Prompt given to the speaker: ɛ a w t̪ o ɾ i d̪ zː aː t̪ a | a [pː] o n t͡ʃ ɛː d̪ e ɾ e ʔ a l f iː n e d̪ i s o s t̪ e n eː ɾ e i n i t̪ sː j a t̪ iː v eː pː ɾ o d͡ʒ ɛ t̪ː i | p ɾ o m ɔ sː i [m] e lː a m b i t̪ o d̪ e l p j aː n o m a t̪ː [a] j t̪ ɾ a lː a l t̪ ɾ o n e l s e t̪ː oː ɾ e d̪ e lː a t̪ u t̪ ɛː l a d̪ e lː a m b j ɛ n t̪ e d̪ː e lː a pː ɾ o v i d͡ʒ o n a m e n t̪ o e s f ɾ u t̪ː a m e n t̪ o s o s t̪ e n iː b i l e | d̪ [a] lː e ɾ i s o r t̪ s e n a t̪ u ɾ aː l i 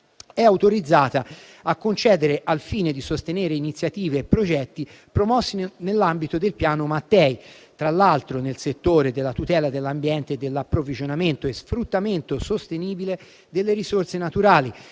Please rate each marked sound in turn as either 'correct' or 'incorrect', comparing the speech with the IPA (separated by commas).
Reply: incorrect, incorrect, incorrect, incorrect